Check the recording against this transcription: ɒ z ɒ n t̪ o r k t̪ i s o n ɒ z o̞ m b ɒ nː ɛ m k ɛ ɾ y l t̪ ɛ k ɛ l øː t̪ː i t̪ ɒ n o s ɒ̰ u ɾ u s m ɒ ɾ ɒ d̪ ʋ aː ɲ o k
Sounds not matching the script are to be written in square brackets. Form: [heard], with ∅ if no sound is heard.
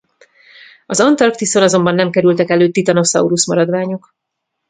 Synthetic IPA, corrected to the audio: ɒ z ɒ n t̪ [ɒ] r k t̪ i s o n ɒ z o̞ m b ɒ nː ɛ m k ɛ ɾ y l t̪ ɛ k ɛ l øː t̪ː i t̪ ɒ n o s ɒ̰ u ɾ u s m ɒ ɾ ɒ d̪ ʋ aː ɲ o k